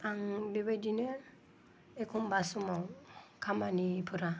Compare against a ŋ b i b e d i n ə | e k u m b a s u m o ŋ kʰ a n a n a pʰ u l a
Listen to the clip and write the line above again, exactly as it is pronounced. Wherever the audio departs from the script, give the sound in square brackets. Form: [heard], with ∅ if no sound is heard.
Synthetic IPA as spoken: a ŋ b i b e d i n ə | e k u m b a s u m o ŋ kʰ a [m] a n [i] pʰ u [ɾ] a